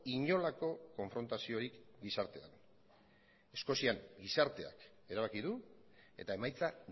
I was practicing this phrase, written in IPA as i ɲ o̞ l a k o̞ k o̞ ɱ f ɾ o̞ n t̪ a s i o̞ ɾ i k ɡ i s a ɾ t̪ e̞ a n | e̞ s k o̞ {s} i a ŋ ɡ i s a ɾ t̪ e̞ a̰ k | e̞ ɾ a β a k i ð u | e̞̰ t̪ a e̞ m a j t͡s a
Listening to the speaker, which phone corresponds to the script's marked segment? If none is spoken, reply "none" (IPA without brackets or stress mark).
s